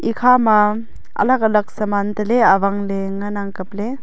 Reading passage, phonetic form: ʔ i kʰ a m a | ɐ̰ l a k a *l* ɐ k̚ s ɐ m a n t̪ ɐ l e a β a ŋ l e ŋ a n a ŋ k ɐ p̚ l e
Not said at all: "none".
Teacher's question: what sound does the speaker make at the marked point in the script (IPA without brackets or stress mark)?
l